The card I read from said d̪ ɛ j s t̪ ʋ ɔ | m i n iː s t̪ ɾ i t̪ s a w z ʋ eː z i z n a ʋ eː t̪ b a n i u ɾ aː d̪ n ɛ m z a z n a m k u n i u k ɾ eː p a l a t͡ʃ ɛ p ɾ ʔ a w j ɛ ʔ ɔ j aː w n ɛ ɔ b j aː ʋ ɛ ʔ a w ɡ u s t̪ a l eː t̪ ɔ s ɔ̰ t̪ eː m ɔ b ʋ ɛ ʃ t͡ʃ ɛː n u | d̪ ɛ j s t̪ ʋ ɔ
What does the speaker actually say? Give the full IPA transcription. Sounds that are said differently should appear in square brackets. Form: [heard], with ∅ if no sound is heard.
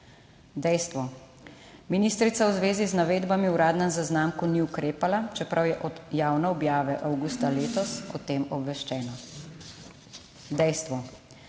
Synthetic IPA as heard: d̪ ɛ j s t̪ ʋ ɔ | m i n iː s t̪ ɾ i t̪ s a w z ʋ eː z i z n a ʋ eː [d̪] b a [m] i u ɾ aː d̪ n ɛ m z a z n a m k u n i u k ɾ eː p a l a t͡ʃ ɛ p ɾ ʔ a w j ɛ ʔ ɔ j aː w n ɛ ɔ b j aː ʋ ɛ ʔ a w ɡ u s t̪ a l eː t̪ ɔ s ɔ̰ t̪ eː m ɔ b ʋ ɛ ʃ t͡ʃ ɛː n [ɔ] | d̪ ɛ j s t̪ ʋ ɔ

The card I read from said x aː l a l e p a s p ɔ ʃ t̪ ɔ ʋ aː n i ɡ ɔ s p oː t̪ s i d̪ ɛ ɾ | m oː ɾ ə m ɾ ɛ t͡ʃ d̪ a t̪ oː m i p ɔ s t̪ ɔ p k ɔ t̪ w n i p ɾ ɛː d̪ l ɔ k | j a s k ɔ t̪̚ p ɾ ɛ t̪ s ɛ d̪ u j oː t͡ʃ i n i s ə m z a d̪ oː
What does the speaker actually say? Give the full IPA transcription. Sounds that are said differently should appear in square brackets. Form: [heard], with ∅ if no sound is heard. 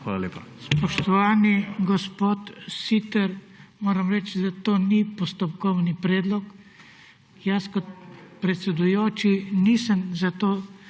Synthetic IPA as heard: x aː l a l e p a s p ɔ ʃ t̪ ɔ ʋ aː n i ɡ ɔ s p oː t̪ s i [t̪] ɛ ɾ | m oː ɾ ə m ɾ ɛ t͡ʃ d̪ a t̪ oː [n] i p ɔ s t̪ ɔ p k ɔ [∅] w n i p ɾ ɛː d̪ l ɔ k | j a s k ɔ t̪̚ p ɾ ɛ t̪ s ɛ d̪ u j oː t͡ʃ i n i s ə m z a [t̪] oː

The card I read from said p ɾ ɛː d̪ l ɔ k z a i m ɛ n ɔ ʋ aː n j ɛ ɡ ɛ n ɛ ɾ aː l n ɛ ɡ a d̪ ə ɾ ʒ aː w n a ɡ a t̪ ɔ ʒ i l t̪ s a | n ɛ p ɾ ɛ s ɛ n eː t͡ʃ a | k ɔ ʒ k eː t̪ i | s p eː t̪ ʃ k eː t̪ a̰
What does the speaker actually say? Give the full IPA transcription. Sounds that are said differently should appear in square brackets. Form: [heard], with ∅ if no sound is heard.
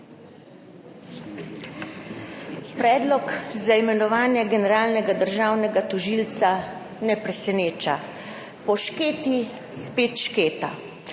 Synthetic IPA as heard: p ɾ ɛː d̪ l ɔ k z a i m ɛ n ɔ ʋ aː n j ɛ ɡ ɛ n ɛ ɾ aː l n ɛ ɡ a d̪ ə ɾ ʒ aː w n [ɛ] ɡ a t̪ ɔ ʒ i l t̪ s a | n ɛ p ɾ ɛ s ɛ n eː t͡ʃ a | [p] ɔ [ʃ] k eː t̪ i | s p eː t̪ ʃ k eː t̪ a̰

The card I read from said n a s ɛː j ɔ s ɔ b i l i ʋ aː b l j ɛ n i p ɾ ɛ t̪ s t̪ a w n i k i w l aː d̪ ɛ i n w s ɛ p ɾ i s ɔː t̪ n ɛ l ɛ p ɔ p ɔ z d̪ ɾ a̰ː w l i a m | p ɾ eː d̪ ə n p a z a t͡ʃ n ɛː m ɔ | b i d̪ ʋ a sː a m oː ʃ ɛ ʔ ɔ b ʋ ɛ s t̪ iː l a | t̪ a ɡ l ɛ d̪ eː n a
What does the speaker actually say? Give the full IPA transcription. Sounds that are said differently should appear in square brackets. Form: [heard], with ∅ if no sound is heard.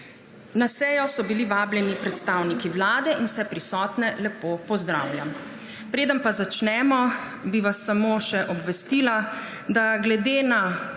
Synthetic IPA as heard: n a s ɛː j ɔ s ɔ b i l i ʋ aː b l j ɛ n i p ɾ ɛ t̪ s t̪ a w n i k i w l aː d̪ ɛ i n w s ɛ p ɾ i s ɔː t̪ n ɛ l ɛ p [o] p ɔ z d̪ ɾ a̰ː w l [j] a m | p ɾ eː d̪ ə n p a z a t͡ʃ n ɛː m ɔ | b i [∅] ʋ a sː a m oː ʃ ɛ ʔ ɔ b ʋ ɛ s t̪ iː l a | [d̪] a ɡ l ɛ d̪ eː n a

